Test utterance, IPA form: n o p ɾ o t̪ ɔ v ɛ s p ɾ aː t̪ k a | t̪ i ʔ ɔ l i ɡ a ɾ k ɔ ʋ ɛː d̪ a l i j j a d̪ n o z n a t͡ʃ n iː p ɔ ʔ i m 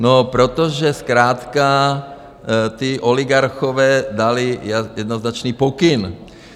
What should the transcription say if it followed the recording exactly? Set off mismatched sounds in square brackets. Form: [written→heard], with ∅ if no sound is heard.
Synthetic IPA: n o p ɾ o t̪ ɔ [v→ʒ] ɛ s [p→k] ɾ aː t̪ k a | t̪ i ʔ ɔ l i ɡ a ɾ [k→x] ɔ ʋ ɛː d̪ a l i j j [a→ɛ] d̪ n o z n a t͡ʃ n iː p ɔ [ʔ→k] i [m→n]